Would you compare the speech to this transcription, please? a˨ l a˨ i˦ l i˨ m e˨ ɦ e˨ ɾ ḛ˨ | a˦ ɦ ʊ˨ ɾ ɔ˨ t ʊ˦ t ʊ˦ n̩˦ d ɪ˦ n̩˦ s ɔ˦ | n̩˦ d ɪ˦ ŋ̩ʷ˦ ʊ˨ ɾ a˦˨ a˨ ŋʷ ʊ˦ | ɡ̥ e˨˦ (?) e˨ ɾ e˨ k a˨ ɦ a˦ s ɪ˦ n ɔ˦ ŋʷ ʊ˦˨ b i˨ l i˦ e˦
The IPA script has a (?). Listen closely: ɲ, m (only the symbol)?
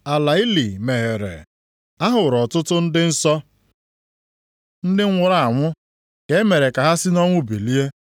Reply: m